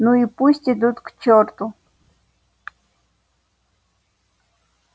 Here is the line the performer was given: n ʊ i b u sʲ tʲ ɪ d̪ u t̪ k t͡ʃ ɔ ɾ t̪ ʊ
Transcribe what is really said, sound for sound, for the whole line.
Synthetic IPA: n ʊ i p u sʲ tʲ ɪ d̪ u t̪ k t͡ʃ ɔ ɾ t̪ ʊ